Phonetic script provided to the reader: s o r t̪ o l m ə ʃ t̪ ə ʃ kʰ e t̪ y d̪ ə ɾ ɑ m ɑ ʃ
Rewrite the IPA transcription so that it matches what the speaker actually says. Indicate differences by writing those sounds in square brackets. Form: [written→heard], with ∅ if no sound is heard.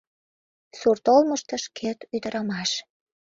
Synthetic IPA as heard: s [o→u] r t̪ o l m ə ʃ t̪ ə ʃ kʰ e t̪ y d̪ ə ɾ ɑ m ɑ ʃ